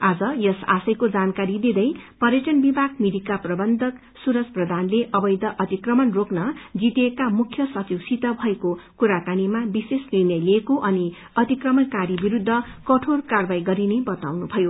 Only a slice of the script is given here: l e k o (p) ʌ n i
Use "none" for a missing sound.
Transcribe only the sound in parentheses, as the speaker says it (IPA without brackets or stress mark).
ʔ